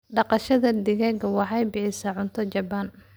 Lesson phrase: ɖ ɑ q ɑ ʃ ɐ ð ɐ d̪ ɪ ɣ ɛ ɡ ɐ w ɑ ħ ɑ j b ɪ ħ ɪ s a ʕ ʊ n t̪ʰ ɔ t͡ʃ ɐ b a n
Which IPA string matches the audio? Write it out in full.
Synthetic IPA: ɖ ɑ q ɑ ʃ ɐ ð ɐ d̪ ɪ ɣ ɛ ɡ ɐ w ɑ ħ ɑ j b ɪ ħ ɪ s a ʕ ʊ n t̪ʰ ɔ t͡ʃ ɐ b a n